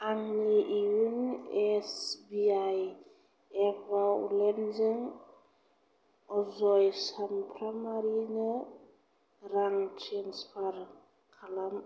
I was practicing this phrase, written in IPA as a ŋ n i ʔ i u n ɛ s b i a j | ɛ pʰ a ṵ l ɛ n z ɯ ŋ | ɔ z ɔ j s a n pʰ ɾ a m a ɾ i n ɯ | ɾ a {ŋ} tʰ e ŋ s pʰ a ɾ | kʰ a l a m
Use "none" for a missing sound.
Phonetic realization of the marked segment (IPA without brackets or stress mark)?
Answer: ŋ